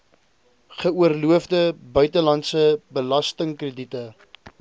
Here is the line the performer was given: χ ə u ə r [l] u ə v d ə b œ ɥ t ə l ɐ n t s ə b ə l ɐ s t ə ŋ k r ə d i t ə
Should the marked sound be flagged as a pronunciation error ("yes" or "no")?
no